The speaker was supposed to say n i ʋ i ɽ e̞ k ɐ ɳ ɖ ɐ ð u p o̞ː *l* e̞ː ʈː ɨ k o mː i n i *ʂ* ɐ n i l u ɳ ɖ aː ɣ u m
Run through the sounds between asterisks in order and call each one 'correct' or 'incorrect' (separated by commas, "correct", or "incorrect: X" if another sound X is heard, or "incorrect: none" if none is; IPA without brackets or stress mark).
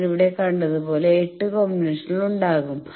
correct, correct